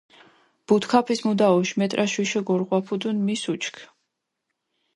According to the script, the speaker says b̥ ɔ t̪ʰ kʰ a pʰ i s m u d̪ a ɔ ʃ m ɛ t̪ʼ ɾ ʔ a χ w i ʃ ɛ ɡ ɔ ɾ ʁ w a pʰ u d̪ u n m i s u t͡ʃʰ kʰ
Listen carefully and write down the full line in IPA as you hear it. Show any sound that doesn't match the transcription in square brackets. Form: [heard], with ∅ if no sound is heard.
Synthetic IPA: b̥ [u] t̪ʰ kʰ a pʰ i s m u d̪ a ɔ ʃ m ɛ t̪ʼ ɾ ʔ a [ʃ] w i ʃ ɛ ɡ ɔ ɾ ʁ w a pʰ u d̪ u n m i s u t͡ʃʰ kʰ